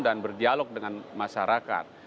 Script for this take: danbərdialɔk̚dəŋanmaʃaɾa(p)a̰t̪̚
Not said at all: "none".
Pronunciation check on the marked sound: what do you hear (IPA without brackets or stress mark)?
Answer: k